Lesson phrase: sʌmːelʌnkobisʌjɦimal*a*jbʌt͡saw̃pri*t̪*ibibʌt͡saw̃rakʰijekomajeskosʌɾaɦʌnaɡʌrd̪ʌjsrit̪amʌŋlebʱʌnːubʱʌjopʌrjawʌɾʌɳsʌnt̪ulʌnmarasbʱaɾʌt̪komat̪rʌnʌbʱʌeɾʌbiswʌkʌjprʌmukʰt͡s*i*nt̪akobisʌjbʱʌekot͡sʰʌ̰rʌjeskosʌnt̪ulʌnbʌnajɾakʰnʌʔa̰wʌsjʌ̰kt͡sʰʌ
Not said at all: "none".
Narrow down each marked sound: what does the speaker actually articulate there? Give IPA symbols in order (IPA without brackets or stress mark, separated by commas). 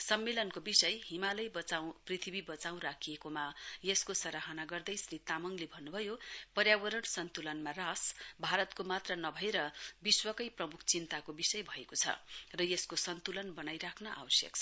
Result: ʌ, t̪ʰ, i